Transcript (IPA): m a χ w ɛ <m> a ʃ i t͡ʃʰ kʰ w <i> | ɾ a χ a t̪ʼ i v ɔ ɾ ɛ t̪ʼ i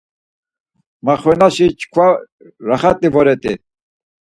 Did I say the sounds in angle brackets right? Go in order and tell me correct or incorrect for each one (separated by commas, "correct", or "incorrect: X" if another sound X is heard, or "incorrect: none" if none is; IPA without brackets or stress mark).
incorrect: n, incorrect: a